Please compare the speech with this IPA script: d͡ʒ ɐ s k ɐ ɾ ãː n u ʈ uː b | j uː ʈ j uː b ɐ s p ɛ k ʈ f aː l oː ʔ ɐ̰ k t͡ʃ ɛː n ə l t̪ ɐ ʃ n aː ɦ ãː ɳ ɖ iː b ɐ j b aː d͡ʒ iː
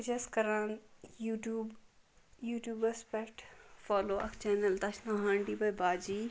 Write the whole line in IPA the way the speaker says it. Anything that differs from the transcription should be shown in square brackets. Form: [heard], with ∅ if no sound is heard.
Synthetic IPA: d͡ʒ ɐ s k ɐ ɾ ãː n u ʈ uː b | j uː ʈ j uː b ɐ s p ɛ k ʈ f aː l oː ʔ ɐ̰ k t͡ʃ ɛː n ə l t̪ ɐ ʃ n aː ɦ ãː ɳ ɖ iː b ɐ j b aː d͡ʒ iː